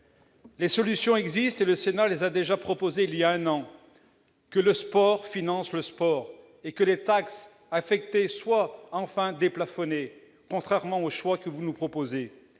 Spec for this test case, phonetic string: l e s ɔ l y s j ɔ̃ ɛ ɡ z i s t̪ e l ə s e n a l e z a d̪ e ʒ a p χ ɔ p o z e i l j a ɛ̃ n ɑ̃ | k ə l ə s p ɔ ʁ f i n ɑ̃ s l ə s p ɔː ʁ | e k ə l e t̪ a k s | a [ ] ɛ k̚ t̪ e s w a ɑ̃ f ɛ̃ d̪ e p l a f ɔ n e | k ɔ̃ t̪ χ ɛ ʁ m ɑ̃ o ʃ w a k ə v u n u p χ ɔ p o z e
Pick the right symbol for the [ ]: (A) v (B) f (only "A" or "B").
B